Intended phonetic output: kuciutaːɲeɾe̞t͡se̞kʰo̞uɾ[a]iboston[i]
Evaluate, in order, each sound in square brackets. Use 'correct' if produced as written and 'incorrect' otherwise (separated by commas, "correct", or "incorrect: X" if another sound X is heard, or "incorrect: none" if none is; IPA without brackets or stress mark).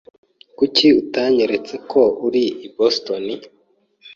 incorrect: i, correct